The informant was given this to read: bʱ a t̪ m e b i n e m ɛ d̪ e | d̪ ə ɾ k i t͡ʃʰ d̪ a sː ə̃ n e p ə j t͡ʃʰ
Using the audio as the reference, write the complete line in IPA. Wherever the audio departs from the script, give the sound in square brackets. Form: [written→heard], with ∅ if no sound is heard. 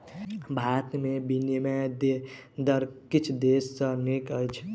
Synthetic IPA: bʱ a t̪ m e b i n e m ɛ d̪ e | d̪ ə ɾ k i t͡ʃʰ d̪ [a→e] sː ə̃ n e [p→k] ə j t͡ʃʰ